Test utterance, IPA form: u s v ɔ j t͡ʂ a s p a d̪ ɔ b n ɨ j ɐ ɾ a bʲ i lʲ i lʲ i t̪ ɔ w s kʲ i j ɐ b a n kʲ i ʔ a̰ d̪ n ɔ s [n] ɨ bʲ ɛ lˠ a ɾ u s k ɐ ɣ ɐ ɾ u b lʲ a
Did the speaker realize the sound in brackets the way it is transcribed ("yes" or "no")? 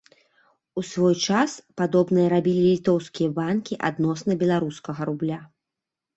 yes